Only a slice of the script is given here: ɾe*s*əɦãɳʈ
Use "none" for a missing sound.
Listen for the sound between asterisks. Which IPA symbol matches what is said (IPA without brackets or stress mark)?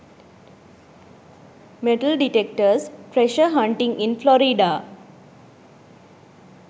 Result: ʃ